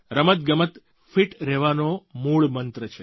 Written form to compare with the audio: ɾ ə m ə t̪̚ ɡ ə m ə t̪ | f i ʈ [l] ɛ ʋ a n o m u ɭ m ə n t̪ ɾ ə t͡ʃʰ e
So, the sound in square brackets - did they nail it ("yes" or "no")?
no